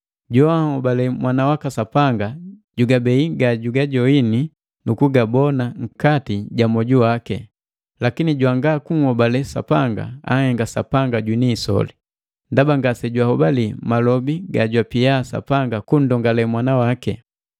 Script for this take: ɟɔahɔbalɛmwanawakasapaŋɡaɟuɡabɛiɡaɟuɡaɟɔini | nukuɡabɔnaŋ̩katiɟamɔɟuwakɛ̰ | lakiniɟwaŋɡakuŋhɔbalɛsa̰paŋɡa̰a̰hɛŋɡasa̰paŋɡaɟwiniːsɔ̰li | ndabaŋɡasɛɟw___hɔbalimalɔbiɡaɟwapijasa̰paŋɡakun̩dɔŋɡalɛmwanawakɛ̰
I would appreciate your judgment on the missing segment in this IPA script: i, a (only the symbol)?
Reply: a